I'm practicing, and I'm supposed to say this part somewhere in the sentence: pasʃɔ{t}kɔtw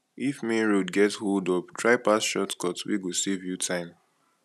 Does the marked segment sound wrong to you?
no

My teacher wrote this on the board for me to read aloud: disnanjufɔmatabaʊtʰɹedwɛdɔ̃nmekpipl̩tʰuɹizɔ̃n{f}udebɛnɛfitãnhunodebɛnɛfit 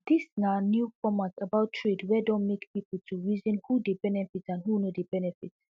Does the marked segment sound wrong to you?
yes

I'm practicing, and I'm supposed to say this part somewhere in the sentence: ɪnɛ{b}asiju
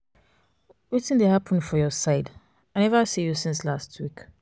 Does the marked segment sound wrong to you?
yes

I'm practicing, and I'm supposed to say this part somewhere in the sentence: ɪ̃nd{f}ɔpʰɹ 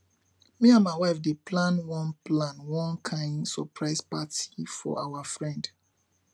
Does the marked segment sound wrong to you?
yes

